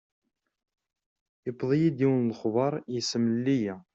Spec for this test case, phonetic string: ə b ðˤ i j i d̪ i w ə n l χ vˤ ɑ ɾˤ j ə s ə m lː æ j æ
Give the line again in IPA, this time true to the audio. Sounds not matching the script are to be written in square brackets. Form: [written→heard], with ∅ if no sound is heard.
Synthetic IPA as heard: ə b ðˤ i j i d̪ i w ə n l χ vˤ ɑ ɾˤ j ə s ə m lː [æ→i] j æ

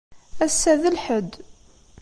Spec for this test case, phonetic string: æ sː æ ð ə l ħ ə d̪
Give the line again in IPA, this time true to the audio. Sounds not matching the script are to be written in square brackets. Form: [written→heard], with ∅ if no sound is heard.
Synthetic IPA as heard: æ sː æ ð ə l ħ ə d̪

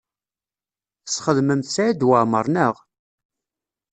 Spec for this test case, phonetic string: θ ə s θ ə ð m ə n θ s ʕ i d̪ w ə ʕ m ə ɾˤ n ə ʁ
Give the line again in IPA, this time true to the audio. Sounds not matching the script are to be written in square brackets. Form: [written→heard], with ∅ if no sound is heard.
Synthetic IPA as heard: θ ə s [θ→χ] ə ð m ə [n→m] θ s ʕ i d̪ w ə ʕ m ə ɾˤ n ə ʁ

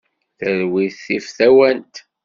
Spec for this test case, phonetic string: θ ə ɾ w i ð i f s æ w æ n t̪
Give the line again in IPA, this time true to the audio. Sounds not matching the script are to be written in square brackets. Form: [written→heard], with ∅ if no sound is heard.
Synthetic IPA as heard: θ ə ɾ w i [ð→θ] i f [s→θ] æ w æ n t̪

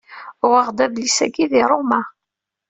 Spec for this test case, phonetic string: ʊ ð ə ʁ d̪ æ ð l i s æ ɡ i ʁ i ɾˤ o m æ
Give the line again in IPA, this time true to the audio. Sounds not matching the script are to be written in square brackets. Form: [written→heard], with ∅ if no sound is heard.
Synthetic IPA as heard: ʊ [ð→ʁ] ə ʁ d̪ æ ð l i s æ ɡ i [ʁ→ð] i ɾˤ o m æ

